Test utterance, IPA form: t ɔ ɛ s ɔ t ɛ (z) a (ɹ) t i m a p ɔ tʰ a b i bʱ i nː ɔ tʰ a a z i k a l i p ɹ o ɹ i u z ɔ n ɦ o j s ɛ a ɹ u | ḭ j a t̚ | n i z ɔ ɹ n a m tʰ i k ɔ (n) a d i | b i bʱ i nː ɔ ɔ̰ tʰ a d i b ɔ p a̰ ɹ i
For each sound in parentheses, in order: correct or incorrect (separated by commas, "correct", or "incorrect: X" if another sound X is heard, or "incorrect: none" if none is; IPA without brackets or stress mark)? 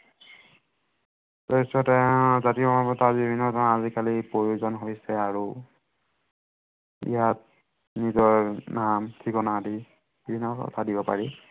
correct, incorrect: none, correct